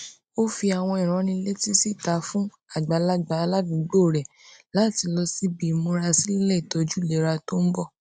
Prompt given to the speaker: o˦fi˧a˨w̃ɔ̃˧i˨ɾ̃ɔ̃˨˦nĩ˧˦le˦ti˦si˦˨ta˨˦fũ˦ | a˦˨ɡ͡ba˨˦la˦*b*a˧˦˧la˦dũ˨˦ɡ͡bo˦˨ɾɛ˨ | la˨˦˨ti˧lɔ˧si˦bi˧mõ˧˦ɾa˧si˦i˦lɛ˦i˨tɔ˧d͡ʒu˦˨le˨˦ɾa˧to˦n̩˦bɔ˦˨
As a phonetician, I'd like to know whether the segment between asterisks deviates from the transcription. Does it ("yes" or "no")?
yes